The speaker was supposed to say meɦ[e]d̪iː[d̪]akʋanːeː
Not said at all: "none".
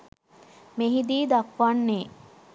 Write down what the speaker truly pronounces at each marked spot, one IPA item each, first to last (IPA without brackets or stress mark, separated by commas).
i, d̪